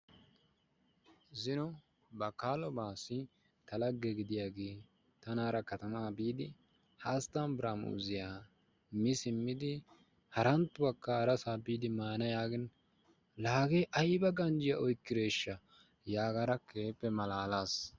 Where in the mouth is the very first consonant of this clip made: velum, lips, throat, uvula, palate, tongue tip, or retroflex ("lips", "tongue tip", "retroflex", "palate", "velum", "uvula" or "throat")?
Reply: tongue tip